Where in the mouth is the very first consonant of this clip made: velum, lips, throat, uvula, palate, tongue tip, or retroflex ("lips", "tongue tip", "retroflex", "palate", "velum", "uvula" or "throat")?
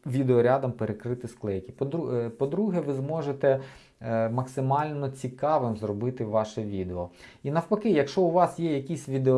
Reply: lips